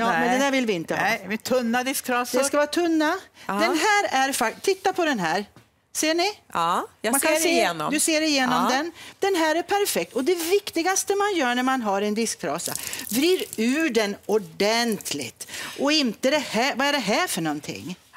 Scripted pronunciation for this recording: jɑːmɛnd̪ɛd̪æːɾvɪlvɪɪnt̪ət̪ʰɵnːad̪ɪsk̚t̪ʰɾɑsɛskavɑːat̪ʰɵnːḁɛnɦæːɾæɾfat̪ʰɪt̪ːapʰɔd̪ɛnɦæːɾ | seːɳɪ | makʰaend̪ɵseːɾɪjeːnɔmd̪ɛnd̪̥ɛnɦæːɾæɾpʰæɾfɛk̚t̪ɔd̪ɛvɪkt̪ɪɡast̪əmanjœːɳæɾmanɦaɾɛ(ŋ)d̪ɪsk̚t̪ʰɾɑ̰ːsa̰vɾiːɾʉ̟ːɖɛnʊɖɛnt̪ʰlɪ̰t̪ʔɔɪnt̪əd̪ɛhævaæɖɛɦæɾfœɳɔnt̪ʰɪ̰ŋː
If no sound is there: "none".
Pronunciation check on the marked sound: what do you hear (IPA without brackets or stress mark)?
n